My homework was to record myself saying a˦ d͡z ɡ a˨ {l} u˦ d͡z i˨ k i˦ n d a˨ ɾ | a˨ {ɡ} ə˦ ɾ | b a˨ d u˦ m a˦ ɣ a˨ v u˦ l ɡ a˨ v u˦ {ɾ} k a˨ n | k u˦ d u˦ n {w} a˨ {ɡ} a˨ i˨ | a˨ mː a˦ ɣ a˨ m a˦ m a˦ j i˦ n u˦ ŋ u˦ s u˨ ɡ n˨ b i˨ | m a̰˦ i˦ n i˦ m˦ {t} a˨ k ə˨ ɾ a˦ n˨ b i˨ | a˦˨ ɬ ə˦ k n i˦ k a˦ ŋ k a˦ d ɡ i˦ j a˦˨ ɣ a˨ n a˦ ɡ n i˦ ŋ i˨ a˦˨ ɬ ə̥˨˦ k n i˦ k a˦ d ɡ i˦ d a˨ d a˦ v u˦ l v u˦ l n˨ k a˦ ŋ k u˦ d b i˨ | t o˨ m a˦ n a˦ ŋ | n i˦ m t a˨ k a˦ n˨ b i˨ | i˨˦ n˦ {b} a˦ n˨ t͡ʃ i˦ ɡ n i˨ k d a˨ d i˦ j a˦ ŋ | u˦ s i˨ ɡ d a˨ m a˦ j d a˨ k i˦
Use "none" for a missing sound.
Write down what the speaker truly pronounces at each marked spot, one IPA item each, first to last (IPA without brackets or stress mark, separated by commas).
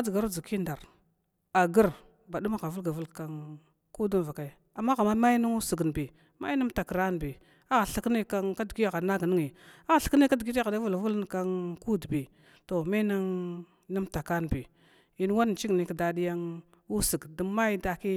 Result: ɾ, ɡ, l, v, k, t, w